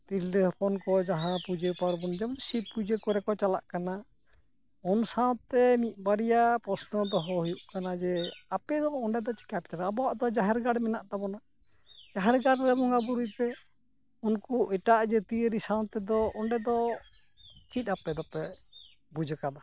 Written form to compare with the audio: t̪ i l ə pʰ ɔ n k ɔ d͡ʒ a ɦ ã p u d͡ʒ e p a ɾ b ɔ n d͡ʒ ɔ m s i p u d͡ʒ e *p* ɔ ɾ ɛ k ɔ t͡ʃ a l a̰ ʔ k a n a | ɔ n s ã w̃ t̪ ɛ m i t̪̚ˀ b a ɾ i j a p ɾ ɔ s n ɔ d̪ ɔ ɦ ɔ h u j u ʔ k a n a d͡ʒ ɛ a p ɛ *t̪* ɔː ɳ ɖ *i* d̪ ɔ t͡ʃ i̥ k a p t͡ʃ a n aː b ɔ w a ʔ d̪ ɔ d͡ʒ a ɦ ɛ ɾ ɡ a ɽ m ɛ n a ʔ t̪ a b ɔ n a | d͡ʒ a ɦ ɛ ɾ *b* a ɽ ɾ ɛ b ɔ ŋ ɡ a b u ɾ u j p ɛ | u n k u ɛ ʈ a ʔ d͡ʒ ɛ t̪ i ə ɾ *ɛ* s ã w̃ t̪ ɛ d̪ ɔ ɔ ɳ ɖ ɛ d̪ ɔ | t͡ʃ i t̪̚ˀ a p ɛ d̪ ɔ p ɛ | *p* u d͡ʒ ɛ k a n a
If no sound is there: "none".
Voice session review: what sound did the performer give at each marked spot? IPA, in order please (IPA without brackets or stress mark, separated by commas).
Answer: k, d̪, ɛ, ɡ, i, b